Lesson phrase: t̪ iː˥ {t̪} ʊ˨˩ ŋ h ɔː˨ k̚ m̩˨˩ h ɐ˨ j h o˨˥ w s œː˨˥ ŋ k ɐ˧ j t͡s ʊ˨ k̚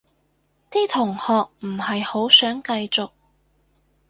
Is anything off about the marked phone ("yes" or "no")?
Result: yes